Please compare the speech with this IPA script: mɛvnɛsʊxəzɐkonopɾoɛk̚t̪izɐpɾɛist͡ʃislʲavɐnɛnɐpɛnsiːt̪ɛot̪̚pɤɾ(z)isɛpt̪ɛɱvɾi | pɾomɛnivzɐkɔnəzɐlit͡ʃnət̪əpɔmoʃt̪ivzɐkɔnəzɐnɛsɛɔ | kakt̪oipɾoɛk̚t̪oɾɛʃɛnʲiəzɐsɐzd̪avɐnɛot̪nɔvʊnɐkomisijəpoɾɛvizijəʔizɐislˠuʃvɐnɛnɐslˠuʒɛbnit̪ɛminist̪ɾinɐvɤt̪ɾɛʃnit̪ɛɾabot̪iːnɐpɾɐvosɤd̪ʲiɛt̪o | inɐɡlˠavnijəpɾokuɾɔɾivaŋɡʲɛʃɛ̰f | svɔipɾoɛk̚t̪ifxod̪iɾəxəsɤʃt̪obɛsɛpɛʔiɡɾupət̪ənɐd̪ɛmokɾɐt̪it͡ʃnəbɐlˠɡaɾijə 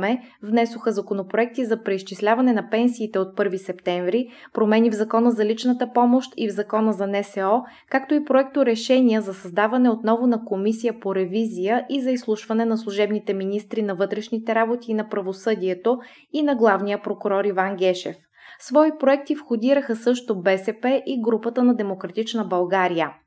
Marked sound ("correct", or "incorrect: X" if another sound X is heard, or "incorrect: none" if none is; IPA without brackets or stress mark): incorrect: v